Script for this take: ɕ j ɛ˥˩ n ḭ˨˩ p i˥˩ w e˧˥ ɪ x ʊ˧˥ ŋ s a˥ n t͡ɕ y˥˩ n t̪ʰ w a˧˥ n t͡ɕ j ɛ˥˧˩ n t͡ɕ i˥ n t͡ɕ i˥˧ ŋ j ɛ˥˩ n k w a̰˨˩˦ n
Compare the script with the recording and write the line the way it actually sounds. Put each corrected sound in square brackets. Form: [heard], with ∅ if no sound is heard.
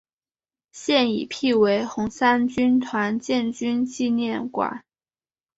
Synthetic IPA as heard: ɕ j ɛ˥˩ n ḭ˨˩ [pʰ] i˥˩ w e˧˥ ɪ x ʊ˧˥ ŋ s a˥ n t͡ɕ [y˥] n t̪ʰ w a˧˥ n t͡ɕ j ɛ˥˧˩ n t͡ɕ [y˥] n t͡ɕ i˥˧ [n] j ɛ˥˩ n k w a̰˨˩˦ n